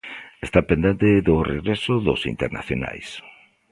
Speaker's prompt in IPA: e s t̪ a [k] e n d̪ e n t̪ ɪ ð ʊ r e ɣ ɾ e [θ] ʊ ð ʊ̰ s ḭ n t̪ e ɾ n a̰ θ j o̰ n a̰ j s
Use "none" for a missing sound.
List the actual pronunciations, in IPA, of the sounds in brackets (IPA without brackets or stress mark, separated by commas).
p, s